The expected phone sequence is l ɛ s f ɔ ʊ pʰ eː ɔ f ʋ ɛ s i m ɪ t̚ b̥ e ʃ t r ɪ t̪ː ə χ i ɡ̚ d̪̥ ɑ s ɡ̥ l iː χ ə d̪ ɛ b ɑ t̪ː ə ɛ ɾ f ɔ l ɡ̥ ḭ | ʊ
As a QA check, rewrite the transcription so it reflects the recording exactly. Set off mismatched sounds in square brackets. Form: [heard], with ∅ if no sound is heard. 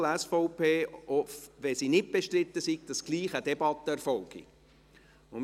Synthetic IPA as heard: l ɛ s f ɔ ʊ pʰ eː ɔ f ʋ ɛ s i [n] ɪ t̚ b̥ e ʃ t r ɪ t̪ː ə [s] i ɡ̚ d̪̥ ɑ s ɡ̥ l iː χ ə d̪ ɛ b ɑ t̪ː ə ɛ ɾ f ɔ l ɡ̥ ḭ | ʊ

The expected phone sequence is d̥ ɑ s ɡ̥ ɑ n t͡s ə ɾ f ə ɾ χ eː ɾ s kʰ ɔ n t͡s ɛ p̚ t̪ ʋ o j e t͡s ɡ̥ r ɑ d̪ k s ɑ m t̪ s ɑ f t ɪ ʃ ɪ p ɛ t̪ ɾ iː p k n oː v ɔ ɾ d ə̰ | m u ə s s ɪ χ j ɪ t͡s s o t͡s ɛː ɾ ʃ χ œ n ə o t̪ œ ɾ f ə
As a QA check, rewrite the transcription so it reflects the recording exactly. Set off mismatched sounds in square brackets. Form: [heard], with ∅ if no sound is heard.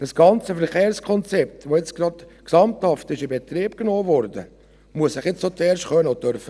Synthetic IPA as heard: d̥ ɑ s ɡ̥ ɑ n t͡s ə [∅] f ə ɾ χ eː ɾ s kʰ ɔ n t͡s ɛ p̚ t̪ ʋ o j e t͡s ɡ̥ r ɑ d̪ k s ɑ m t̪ [h] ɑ f t ɪ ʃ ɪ [b] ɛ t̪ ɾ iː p k n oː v ɔ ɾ d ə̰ | m u ə s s ɪ χ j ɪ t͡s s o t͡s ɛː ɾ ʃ χ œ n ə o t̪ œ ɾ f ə

